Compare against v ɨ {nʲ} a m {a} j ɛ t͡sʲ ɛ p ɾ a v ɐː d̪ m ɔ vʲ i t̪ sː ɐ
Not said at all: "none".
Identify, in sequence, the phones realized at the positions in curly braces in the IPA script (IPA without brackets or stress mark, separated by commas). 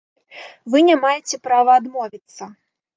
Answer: nʲ, a